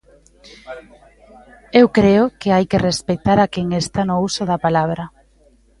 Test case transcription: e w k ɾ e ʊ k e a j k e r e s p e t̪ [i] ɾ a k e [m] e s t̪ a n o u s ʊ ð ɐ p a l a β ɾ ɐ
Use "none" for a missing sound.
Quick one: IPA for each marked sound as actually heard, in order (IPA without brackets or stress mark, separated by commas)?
a, ŋ